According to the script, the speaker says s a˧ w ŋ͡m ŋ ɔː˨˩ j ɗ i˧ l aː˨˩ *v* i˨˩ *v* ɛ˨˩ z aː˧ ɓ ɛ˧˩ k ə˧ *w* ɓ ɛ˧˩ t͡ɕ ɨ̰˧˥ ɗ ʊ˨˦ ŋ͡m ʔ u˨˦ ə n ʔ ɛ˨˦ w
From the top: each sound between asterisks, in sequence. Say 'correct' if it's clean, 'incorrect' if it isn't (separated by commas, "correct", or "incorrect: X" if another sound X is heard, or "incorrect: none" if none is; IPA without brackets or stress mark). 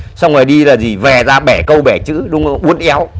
incorrect: z, correct, correct